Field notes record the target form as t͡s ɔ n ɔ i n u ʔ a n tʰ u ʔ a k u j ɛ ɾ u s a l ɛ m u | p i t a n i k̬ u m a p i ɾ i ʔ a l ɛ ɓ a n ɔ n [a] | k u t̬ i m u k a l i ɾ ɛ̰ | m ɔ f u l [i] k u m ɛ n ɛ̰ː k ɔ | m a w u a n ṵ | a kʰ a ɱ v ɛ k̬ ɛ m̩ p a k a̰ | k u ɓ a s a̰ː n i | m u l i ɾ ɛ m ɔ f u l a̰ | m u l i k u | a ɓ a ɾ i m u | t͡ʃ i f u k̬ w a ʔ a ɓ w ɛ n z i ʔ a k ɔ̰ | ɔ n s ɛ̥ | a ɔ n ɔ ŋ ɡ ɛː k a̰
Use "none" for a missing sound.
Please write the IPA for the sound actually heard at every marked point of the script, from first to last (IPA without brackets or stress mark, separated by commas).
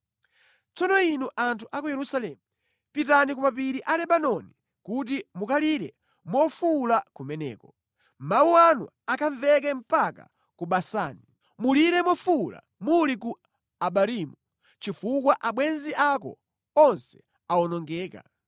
i, a